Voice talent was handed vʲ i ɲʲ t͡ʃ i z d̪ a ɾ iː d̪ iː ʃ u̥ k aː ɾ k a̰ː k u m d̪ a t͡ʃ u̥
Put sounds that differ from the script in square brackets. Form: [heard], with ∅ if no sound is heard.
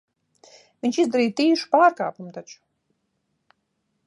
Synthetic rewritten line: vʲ i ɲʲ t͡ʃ i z d̪ a ɾ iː [t̪] iː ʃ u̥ [p] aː ɾ k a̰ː [p] u m [t̪] a t͡ʃ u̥